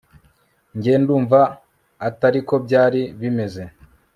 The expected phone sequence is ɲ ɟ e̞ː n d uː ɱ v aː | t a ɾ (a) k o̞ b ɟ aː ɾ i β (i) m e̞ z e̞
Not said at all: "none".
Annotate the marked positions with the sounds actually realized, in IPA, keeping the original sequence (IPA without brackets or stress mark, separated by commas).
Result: i, i